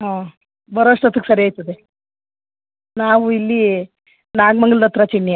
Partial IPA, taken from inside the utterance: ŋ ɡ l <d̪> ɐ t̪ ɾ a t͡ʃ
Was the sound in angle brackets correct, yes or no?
yes